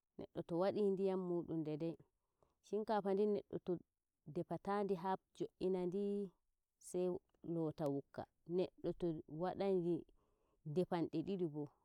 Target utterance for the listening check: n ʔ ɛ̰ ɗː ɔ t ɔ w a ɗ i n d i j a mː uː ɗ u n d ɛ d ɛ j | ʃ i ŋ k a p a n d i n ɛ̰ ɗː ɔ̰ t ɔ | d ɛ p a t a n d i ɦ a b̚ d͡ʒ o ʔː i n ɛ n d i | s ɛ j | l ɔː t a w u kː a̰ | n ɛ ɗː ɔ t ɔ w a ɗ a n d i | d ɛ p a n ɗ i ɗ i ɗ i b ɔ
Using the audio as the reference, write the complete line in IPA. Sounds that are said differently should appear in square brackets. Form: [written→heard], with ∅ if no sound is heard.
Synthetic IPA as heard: n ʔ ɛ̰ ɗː ɔ t ɔ w a ɗ i n d i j a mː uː ɗ u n d ɛ d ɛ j | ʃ i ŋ k a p a n d i n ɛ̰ ɗː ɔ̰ t ɔ | d ɛ p a t a n d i ɦ a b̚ d͡ʒ o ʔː i n [ɛ→a] n d i | s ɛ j | l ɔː t a w u kː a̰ | n ɛ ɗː ɔ t ɔ w a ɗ a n d i | d ɛ p a n ɗ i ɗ i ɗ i b ɔ